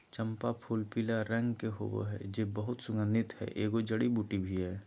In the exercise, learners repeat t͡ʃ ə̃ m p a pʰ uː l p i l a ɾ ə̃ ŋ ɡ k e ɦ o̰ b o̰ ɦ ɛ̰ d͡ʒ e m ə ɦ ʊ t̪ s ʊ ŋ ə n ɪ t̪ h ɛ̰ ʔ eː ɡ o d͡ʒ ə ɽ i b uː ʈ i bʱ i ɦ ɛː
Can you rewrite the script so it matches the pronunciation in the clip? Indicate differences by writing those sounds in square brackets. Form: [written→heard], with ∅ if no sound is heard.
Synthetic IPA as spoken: t͡ʃ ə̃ m p a pʰ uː l p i l a ɾ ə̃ ŋ ɡ k e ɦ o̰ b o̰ ɦ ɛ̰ d͡ʒ e [m→b] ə ɦ ʊ t̪ s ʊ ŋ ə n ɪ t̪ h ɛ̰ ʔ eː ɡ o d͡ʒ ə ɽ i b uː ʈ i bʱ i ɦ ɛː